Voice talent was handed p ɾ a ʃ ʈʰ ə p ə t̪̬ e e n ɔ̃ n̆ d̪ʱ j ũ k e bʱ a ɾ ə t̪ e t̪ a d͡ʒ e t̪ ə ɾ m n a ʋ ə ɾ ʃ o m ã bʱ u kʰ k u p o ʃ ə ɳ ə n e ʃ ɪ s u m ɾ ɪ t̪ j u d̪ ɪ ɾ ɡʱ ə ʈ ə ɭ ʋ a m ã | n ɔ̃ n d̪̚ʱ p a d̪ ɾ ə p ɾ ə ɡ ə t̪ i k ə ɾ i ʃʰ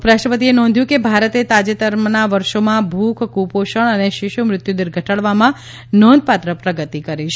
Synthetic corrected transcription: p ɾ a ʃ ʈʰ ə p ə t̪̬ i e n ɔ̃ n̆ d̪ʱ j ũ k e bʱ a ɾ ə t̪ e t̪ a d͡ʒ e t̪ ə ɾ m n a ʋ ə ɾ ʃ o m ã bʱ u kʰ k u p o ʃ ə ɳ ə n e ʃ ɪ ʃ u m ɾ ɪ t̪ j u d̪ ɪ ɾ ɡʱ ə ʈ ə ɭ ʋ a m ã | n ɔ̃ n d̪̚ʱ p a t̪ ɾ ə p ɾ ə ɡ ə t̪ i k ə ɾ i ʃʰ